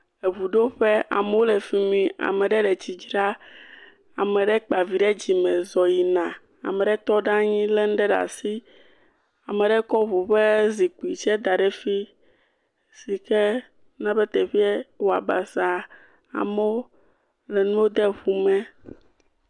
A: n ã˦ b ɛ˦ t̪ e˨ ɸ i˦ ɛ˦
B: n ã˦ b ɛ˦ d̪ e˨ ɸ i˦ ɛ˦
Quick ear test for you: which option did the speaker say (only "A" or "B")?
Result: A